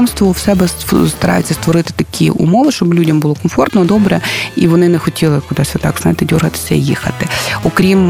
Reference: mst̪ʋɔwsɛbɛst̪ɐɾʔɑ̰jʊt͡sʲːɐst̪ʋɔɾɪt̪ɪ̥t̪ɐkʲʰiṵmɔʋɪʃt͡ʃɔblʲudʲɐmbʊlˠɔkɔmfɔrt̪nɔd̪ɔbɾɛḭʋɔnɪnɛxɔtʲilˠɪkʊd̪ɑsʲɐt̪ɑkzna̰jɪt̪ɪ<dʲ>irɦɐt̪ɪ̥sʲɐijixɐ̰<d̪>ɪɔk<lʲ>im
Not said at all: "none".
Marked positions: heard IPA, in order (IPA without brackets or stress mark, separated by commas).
dʲ, t̪, ɾʲ